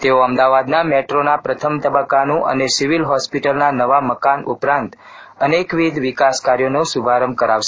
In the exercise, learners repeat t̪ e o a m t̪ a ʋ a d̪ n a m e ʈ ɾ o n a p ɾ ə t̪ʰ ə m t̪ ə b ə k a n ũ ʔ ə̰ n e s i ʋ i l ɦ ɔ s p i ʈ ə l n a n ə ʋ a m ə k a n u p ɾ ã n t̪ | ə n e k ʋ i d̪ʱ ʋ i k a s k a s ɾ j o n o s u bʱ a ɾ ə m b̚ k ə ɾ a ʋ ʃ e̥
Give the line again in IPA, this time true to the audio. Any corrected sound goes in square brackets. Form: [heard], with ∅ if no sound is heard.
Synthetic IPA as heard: t̪ e o [ə] m [d̪] a ʋ a d̪ n a m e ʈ ɾ o n a p ɾ ə t̪ʰ ə m t̪ ə b ə k a n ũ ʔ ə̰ n e s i ʋ i l ɦ ɔ s p i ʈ ə l n a n ə ʋ a m ə k a n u p ɾ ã n t̪ | ə n e k ʋ i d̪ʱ ʋ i k a s k a [∅] ɾ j o n o s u bʱ a ɾ ə m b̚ k ə ɾ a ʋ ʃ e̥

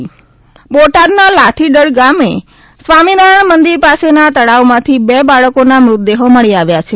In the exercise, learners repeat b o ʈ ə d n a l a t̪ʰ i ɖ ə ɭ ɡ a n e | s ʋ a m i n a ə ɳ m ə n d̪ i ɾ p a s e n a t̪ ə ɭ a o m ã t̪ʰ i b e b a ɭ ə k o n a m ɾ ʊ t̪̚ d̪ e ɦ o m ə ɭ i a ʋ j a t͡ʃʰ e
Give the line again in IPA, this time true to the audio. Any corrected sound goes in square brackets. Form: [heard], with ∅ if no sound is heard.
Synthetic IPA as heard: b o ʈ [a] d n a l a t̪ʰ i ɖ ə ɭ ɡ a [m] e | s ʋ a m i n a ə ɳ m ə n d̪ i ɾ p a s e n a t̪ ə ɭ a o m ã t̪ʰ i b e b a ɭ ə k o n a m ɾ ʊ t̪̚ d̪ e ɦ o m ə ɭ i a ʋ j a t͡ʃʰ e

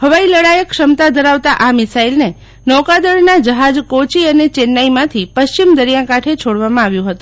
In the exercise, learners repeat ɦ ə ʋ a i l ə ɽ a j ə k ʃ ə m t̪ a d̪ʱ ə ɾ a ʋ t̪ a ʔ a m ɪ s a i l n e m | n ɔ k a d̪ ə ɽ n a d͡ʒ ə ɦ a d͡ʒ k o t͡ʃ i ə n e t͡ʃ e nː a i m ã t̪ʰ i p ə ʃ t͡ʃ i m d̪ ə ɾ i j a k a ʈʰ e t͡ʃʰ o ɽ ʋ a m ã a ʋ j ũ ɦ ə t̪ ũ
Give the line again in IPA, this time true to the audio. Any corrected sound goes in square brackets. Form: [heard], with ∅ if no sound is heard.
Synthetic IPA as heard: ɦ ə ʋ a i l ə ɽ a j ə k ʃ ə m t̪ a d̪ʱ ə ɾ a ʋ t̪ a ʔ a m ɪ s a i l n e [∅] | n ɔ k a d̪ ə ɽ n a d͡ʒ ə ɦ a d͡ʒ k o t͡ʃ i ə n e t͡ʃ e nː a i m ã t̪ʰ i p ə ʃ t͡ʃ i m d̪ ə ɾ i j a k a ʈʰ e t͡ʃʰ o ɽ ʋ a m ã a ʋ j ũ ɦ ə t̪ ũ

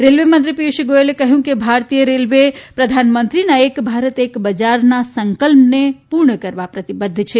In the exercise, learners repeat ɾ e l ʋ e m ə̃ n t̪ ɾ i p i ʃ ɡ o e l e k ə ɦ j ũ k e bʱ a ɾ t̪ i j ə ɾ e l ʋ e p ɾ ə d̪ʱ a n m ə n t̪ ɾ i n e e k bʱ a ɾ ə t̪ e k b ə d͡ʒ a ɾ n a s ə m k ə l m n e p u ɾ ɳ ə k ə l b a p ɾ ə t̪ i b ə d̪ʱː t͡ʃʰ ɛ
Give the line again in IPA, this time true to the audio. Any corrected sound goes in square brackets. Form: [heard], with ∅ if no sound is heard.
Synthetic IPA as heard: ɾ e l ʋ e m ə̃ n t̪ ɾ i p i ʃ ɡ o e l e k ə ɦ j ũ k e bʱ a ɾ t̪ i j ə ɾ e l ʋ e p ɾ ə d̪ʱ a n m ə n t̪ ɾ i n [a] e k bʱ a ɾ ə t̪ e k b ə d͡ʒ a ɾ n a s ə [ŋ] k ə l m n e p u ɾ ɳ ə k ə [ɾ] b a p ɾ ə t̪ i b ə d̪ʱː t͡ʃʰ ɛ

